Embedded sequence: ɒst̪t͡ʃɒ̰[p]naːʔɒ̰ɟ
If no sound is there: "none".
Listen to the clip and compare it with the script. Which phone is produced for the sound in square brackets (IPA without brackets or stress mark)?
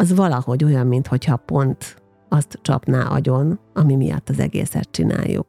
p